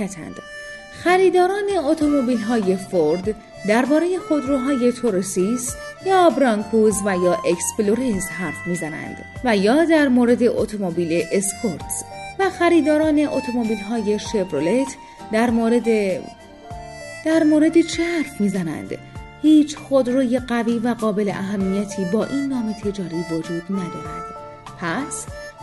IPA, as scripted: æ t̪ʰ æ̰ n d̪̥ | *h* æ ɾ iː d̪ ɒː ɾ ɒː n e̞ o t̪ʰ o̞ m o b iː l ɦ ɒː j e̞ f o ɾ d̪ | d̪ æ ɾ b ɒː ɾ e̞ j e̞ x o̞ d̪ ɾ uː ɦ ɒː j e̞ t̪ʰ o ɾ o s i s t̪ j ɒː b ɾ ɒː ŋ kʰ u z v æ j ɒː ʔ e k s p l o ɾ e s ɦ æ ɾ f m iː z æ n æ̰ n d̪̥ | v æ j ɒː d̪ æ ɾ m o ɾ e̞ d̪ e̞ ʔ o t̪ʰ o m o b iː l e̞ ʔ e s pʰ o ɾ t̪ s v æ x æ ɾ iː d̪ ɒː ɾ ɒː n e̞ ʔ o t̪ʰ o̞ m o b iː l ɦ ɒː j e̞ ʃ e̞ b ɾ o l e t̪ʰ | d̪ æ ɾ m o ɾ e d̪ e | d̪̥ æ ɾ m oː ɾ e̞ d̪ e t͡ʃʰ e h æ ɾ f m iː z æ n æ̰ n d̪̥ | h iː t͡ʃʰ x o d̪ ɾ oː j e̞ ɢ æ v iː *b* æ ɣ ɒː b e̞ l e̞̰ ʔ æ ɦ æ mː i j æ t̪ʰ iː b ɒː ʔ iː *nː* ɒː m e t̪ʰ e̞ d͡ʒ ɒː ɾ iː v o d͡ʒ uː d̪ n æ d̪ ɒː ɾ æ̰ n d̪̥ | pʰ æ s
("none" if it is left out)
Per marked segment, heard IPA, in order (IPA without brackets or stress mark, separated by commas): x, v, nː